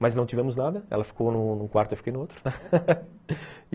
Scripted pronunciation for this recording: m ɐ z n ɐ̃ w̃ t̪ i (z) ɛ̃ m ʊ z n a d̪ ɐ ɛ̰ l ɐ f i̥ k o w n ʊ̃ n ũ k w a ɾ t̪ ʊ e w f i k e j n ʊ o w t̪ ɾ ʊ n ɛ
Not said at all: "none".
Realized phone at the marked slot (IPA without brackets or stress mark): v